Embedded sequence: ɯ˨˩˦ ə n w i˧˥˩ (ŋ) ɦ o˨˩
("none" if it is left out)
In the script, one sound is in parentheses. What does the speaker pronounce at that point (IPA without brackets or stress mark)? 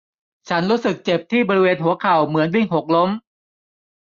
ŋ